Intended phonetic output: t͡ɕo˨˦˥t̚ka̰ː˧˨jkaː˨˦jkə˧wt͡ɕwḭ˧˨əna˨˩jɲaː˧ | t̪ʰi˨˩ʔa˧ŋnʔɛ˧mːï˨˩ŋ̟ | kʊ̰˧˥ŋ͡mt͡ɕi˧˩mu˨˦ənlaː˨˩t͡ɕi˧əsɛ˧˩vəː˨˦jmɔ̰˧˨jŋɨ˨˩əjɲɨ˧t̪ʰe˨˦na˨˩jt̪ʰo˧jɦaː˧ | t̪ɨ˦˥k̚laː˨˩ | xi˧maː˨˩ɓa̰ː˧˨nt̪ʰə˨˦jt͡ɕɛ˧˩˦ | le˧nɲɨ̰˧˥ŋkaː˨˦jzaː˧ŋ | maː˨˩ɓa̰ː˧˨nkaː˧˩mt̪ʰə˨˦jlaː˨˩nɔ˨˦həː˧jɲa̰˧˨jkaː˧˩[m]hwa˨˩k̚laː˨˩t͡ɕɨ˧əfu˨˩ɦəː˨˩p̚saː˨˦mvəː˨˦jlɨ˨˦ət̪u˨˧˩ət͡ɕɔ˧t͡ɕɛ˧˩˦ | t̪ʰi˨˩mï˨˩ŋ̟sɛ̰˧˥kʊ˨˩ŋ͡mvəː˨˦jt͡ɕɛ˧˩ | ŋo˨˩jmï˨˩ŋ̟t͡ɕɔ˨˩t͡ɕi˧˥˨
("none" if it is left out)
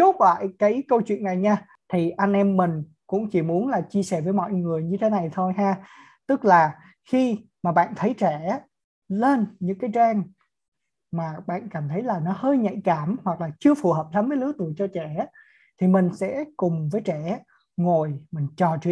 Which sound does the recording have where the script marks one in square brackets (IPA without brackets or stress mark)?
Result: m